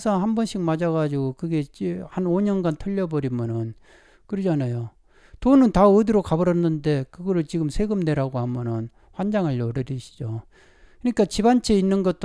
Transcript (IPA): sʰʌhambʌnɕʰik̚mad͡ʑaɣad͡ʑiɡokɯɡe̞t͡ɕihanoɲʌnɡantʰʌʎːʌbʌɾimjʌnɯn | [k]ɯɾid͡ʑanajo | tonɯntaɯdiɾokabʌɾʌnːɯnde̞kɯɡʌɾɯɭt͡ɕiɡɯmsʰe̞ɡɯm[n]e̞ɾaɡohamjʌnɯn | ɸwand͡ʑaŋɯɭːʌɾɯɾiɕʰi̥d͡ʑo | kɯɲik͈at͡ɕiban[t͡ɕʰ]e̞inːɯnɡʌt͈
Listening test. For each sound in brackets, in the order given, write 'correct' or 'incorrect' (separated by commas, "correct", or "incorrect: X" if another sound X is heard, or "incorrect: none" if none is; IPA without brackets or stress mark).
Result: correct, correct, correct